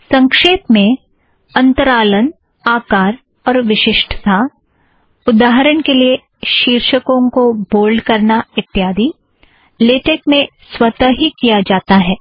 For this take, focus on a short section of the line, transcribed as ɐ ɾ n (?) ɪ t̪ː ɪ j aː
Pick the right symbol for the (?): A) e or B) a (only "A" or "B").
B